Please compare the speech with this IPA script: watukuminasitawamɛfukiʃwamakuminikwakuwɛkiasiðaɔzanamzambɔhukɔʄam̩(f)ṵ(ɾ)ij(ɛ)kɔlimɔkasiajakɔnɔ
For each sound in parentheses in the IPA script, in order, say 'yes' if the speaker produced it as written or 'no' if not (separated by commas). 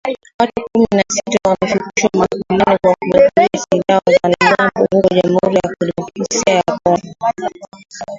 no, yes, no